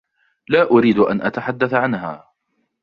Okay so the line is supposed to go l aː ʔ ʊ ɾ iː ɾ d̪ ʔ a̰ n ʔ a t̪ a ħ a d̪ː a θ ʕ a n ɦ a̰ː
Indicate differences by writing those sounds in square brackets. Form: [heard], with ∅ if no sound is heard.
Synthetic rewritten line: l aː ʔ ʊ ɾ iː [∅] d̪ ʔ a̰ n ʔ a t̪ a ħ a d̪ː a θ ʕ a n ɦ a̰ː